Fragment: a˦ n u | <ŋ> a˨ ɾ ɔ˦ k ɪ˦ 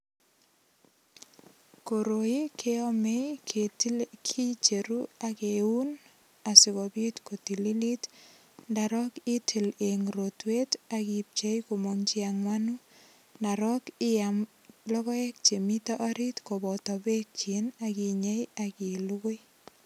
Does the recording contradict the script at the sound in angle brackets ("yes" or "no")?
yes